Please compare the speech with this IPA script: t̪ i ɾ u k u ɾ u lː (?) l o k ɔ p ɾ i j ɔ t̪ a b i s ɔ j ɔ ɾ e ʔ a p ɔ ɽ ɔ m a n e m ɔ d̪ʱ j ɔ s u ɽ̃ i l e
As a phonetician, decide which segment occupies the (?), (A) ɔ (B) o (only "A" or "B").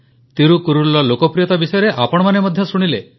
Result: A